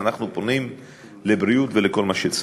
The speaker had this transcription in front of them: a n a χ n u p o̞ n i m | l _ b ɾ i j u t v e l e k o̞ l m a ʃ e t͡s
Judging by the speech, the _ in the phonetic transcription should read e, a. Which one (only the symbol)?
e